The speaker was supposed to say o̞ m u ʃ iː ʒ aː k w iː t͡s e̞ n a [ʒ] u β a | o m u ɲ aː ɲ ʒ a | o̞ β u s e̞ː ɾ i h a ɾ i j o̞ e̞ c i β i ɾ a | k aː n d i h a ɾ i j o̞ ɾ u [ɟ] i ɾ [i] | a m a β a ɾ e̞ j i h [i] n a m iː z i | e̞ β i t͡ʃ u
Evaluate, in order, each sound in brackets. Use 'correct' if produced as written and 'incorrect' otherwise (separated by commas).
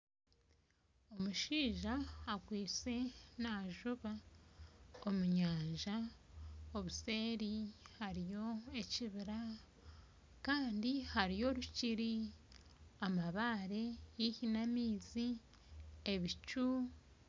correct, incorrect, correct, correct